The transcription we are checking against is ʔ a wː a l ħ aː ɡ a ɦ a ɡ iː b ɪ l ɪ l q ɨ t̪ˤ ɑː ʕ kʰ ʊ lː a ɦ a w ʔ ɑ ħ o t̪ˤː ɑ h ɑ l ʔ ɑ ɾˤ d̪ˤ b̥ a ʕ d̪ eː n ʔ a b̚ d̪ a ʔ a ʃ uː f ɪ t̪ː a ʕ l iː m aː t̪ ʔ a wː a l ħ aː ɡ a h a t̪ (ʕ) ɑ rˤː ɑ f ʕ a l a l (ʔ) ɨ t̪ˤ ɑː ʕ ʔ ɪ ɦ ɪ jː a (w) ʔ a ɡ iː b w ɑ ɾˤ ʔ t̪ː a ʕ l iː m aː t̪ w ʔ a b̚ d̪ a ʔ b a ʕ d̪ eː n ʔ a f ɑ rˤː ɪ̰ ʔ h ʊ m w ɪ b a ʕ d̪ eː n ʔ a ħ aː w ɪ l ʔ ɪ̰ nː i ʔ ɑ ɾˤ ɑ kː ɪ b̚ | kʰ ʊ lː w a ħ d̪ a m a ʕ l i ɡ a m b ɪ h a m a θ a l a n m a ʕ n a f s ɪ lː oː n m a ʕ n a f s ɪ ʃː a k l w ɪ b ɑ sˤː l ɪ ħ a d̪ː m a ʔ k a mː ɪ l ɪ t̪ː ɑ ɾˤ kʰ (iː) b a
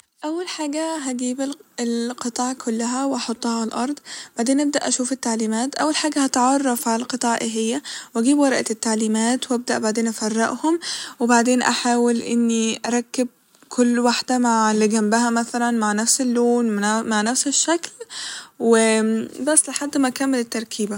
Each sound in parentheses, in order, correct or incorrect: correct, incorrect, correct, correct

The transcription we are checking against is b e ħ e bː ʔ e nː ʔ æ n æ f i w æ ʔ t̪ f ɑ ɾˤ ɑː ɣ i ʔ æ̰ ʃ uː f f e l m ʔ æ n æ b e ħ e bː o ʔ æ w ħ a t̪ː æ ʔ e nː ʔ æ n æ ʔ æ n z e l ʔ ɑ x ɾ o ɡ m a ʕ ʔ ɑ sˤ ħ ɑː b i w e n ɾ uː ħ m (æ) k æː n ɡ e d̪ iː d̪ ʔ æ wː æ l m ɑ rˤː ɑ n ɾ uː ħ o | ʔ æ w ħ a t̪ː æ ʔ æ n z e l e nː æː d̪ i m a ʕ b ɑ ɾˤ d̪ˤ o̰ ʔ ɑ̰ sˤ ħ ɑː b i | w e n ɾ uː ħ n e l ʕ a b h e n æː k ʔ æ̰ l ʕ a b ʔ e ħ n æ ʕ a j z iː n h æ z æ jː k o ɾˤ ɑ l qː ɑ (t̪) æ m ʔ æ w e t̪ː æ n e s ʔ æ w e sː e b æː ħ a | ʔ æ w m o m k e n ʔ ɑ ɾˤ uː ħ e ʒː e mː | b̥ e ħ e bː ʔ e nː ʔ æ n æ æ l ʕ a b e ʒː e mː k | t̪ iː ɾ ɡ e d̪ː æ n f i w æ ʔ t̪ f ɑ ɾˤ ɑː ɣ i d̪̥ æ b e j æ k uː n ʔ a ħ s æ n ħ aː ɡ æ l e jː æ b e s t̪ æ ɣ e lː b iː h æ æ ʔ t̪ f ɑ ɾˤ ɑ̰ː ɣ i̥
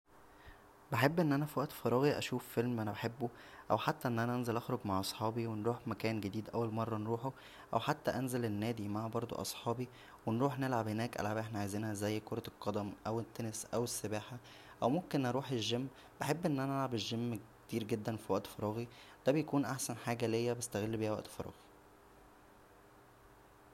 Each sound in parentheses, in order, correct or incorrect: correct, incorrect

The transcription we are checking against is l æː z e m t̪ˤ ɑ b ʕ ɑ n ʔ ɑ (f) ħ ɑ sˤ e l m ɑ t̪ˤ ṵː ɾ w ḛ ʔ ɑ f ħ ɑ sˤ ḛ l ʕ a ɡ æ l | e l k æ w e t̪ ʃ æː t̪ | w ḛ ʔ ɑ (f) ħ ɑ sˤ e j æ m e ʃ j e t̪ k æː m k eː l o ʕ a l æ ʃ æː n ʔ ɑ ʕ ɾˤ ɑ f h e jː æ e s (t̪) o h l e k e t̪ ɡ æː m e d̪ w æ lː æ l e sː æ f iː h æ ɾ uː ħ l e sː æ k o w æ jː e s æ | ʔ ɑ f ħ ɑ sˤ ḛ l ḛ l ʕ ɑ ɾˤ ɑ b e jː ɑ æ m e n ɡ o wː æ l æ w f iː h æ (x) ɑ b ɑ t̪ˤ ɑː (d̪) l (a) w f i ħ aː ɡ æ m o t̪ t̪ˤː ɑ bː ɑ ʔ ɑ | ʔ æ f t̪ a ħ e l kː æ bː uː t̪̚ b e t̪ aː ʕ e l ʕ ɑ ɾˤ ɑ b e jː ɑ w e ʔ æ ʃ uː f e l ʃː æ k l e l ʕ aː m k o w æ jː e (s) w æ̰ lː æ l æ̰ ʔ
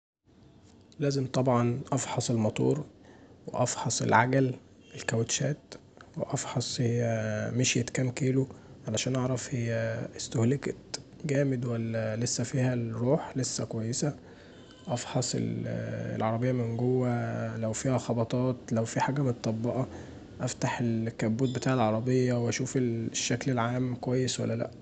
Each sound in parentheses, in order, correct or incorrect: correct, correct, correct, correct, incorrect, incorrect, correct

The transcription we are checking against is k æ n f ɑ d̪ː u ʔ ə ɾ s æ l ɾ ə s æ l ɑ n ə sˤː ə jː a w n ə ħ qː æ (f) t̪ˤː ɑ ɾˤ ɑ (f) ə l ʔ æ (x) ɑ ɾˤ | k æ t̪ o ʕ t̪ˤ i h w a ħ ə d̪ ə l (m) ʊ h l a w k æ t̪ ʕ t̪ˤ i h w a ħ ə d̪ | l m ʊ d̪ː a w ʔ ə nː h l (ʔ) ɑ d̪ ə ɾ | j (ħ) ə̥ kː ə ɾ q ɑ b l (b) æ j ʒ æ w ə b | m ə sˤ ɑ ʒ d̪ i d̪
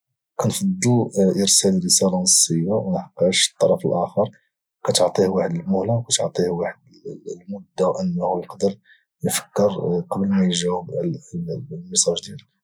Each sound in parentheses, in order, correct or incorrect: incorrect, correct, correct, correct, incorrect, incorrect, incorrect

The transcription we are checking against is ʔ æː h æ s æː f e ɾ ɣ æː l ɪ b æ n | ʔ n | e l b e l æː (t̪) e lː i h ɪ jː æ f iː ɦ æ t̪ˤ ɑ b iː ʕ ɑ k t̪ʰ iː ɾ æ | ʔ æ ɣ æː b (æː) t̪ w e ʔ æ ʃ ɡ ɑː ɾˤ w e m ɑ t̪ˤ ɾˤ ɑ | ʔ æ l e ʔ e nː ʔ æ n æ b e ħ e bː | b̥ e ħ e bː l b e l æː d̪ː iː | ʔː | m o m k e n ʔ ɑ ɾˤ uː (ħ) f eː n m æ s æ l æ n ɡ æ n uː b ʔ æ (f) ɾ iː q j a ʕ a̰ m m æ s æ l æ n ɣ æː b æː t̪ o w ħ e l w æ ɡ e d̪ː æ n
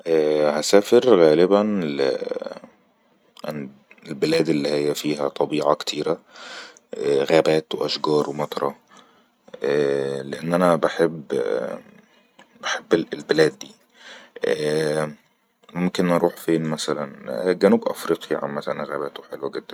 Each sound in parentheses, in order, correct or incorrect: incorrect, correct, correct, correct

